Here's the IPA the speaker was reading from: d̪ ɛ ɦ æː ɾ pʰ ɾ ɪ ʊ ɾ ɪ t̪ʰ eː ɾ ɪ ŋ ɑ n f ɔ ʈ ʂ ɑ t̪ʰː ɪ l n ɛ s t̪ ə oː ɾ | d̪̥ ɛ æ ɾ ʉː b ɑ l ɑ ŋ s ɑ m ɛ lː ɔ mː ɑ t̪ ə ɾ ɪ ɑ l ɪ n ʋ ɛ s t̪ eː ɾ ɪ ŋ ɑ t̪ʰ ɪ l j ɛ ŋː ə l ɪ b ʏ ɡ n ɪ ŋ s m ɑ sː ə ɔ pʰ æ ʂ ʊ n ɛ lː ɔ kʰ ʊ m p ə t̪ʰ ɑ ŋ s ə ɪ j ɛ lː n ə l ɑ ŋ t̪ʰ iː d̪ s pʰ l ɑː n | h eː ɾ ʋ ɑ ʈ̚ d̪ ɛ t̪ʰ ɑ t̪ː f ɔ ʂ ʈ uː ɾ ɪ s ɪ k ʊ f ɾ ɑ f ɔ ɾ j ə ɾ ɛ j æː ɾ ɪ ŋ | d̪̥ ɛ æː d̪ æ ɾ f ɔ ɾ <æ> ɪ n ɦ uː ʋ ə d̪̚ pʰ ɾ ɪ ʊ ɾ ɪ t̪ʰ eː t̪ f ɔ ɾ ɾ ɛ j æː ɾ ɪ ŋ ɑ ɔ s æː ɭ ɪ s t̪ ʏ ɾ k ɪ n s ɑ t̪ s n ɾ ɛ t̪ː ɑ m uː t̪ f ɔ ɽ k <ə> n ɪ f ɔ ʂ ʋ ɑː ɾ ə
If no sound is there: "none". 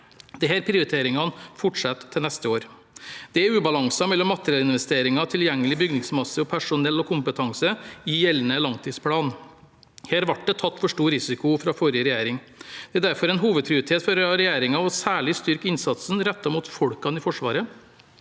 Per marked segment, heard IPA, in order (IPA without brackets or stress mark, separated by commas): ɛ, ɑ